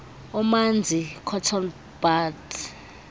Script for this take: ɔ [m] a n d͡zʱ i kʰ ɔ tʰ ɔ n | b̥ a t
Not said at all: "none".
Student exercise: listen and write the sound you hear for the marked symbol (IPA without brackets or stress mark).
m